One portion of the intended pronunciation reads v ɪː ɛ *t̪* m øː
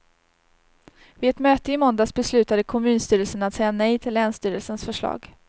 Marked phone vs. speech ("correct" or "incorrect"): correct